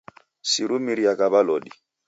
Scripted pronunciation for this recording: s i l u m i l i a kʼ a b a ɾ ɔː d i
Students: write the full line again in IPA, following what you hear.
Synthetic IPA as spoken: s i ɾ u m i ɾ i a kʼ a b a l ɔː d i

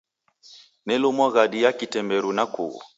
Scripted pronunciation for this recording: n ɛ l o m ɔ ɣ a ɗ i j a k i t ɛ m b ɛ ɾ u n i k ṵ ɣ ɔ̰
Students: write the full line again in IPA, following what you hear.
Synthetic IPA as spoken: n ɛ l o m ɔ ɣ a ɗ i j a k i t ɛ m b ɛ ɾ u n a k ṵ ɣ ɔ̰

